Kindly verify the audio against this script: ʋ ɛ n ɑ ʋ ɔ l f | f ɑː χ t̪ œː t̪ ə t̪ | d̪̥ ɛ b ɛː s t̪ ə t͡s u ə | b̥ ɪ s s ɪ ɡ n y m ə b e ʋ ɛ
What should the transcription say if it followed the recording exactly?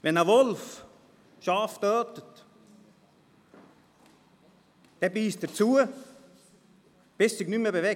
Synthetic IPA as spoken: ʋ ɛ n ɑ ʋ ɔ l f | ʃ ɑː f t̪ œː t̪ ə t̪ | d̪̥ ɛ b iː s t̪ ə t͡s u ə | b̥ ɪ s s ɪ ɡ n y m ə b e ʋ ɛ